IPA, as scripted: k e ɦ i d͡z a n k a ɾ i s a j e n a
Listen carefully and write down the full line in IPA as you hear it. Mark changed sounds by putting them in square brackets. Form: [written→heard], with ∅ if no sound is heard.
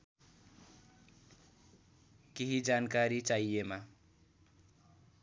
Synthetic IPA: k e ɦ i d͡z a n k a ɾ i [s→t͡s] a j e [n→m] a

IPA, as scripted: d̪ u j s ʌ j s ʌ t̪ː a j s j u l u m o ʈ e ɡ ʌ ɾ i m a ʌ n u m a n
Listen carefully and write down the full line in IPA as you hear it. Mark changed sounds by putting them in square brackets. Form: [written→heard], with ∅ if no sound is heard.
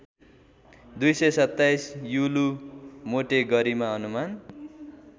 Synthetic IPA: d̪ u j s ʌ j s ʌ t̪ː a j s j u l u m o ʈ e ɡ ʌ ɾ i m a ʌ n u m a n

